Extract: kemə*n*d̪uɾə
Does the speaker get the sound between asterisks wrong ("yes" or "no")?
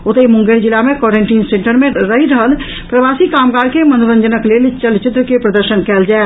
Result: no